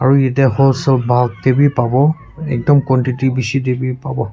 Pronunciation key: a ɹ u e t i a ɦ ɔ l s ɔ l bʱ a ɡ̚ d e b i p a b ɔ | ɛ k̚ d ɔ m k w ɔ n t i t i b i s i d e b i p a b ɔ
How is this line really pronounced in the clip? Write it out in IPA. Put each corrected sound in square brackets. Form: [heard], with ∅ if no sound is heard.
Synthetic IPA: a ɹ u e t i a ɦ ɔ l s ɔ l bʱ a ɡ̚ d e b i p a b ɔ | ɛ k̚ d ɔ m k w ɔ n t i t i b i s i d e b i p a b ɔ